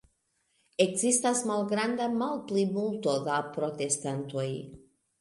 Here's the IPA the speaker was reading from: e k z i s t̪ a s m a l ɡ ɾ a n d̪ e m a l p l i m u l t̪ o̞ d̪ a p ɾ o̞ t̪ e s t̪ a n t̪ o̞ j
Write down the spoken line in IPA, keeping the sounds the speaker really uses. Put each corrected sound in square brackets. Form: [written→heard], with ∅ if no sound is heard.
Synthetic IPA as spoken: e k z i s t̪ a s m a l ɡ ɾ a n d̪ [e→a] m a l p l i m u l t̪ o̞ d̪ a p ɾ o̞ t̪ e s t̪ a n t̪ o̞ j